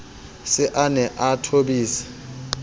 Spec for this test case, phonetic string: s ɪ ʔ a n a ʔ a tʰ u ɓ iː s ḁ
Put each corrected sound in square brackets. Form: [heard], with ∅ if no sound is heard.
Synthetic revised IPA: s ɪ ʔ a n [ɛ] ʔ a tʰ [o] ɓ iː s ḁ